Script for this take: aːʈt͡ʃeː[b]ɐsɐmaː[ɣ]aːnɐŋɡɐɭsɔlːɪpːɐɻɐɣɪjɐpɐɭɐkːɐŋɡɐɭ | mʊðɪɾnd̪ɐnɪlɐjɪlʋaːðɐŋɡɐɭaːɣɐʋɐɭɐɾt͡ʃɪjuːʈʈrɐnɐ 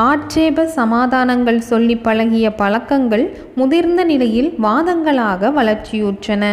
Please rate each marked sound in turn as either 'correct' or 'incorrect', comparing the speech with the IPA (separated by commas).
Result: correct, incorrect